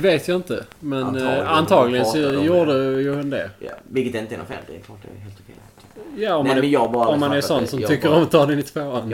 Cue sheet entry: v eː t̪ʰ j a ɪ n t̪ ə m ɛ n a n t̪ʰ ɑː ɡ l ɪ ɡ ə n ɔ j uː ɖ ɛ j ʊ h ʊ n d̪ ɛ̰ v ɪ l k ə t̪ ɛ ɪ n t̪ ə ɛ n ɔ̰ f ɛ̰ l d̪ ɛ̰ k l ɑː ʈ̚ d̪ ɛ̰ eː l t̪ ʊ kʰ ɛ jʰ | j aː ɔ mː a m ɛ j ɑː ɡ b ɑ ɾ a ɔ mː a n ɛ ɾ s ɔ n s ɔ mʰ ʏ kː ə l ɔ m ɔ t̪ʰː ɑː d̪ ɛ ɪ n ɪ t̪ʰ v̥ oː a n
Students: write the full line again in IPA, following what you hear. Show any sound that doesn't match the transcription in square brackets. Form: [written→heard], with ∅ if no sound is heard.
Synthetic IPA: v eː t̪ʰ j a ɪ n t̪ ə m ɛ n a n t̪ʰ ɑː ɡ l ɪ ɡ ə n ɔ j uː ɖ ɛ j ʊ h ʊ n d̪ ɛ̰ v ɪ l k ə t̪ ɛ ɪ n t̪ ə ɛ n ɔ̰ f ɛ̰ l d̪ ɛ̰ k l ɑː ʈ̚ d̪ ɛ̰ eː l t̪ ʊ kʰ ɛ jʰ | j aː ɔ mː a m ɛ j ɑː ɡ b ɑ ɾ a ɔ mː a n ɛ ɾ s ɔ n s ɔ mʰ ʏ kː ə [l→ɾ] ɔ m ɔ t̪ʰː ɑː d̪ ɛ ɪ n ɪ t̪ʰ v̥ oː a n